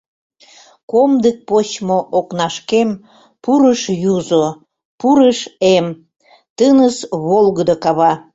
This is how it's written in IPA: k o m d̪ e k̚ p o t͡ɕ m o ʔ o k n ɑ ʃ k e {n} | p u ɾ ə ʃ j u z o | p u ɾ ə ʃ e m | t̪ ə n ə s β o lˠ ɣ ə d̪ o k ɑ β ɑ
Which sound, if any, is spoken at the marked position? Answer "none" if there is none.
m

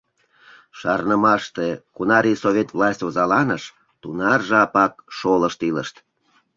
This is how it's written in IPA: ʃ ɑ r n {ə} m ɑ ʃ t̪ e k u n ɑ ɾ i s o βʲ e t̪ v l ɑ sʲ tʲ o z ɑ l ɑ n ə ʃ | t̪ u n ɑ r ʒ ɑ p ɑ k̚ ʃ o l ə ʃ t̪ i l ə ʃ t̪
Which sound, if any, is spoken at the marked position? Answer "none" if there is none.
ə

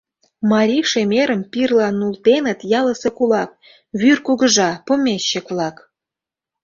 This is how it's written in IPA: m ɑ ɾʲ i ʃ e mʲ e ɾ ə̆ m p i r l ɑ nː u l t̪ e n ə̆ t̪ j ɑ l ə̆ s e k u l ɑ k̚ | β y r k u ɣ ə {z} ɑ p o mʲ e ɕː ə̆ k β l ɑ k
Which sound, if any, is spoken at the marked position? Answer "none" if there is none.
ʒ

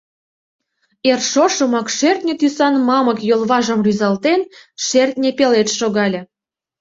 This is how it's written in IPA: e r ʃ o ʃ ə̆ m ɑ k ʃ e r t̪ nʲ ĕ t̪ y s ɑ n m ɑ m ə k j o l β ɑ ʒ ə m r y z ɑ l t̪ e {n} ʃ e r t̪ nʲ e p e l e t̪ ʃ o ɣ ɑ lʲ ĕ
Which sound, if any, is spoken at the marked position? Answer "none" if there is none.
n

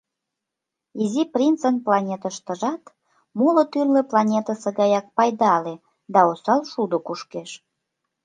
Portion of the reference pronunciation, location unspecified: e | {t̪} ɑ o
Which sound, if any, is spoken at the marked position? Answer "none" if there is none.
d̪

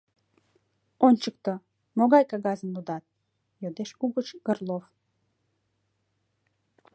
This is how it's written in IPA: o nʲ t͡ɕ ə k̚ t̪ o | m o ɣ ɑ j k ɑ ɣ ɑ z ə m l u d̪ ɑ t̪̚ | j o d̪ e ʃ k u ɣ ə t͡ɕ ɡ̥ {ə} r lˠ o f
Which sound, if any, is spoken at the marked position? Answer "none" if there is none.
ə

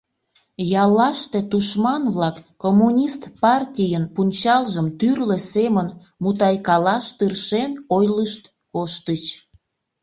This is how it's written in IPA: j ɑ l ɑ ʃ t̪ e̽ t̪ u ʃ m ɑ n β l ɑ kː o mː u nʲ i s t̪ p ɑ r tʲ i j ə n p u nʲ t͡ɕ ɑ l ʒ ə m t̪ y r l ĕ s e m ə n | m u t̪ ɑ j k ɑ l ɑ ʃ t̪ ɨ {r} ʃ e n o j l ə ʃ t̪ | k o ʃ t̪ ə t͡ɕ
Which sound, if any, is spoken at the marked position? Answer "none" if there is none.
r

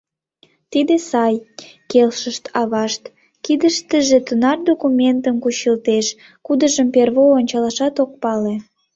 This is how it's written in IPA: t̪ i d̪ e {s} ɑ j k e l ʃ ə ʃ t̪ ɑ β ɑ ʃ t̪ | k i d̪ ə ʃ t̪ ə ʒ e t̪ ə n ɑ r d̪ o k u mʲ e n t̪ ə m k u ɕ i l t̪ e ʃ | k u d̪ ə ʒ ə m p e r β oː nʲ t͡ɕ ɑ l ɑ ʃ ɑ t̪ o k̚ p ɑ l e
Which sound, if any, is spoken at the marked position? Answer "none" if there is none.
s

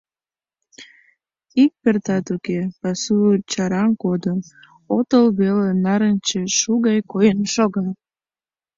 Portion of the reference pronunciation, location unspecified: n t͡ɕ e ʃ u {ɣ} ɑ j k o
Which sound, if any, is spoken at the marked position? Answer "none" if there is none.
ɣ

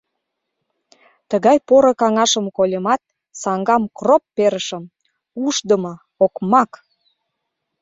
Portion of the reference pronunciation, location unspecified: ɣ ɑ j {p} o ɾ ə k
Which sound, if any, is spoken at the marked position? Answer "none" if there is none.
p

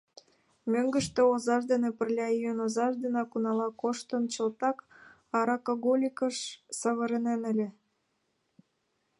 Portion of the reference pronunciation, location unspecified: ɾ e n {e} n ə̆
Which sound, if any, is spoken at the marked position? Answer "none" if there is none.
e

